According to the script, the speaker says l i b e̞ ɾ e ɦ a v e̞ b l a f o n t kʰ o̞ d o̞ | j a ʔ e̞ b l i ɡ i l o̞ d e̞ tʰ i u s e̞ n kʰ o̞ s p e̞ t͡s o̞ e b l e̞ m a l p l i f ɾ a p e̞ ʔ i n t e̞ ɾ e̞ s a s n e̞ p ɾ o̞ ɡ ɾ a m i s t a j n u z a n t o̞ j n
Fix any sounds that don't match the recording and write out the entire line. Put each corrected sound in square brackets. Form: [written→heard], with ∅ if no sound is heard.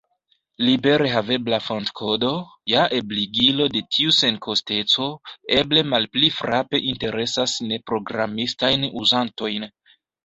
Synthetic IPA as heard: l i b e̞ ɾ e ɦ a v e̞ b l a f o n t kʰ o̞ d o̞ | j a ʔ e̞ b l i ɡ i l o̞ d e̞ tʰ i u s e̞ n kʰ o̞ s [p→t] e̞ t͡s o̞ e b l e̞ m a l p l i f ɾ a p e̞ ʔ i n t e̞ ɾ e̞ s a s n e̞ p ɾ o̞ ɡ ɾ a m i s t a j n u z a n t o̞ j n